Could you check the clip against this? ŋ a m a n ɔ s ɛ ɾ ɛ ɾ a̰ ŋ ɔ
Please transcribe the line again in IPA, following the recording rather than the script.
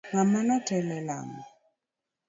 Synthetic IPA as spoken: ŋ a m a n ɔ t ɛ l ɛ l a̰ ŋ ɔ